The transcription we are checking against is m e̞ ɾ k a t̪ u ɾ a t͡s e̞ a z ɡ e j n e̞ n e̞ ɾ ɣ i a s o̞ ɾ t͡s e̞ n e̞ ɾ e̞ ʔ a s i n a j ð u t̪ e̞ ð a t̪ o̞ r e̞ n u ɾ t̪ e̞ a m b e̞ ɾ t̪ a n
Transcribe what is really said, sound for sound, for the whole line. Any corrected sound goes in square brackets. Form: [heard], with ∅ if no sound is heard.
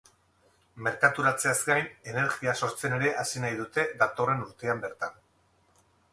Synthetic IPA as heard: m e̞ ɾ k a t̪ u ɾ a t͡s e̞ a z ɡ [a] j n e̞ n e̞ ɾ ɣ i a s o̞ ɾ t͡s e̞ n e̞ ɾ e̞ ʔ a s i n a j ð u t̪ e̞ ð a t̪ o̞ r e̞ n u ɾ t̪ e̞ a m b e̞ ɾ t̪ a n

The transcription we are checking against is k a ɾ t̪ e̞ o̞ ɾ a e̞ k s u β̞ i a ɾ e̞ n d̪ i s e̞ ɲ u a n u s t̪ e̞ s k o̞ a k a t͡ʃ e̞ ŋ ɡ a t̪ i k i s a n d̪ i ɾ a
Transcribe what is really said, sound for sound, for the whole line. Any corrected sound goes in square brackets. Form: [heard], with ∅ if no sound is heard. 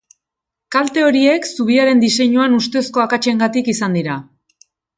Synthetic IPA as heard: k a [l] t̪ e̞ o̞ ɾ [i] e̞ k s u β̞ i a ɾ e̞ n d̪ i s e̞ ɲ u a n u s t̪ e̞ s k o̞ a k a t͡ʃ e̞ ŋ ɡ a t̪ i k i s a n d̪ i ɾ a

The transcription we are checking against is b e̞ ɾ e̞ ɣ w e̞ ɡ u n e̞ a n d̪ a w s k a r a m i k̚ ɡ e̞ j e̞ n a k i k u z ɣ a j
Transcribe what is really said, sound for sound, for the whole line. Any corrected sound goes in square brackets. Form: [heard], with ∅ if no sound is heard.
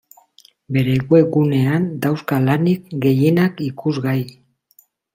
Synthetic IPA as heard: b e̞ ɾ e̞ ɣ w e̞ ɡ u n e̞ a n d̪ a w s k a [l] a [n] i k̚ ɡ e̞ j e̞ n a k i k u z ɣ a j

